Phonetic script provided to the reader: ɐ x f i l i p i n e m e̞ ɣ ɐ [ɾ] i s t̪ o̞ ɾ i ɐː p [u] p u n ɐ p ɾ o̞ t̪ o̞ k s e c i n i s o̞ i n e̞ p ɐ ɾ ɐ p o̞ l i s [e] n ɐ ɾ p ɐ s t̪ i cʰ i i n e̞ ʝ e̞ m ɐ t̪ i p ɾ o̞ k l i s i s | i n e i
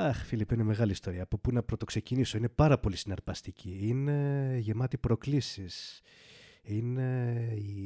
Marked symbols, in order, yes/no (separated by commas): no, no, no